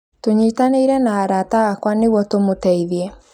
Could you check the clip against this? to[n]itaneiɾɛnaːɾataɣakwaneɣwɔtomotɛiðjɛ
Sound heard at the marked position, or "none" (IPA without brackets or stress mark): ɲ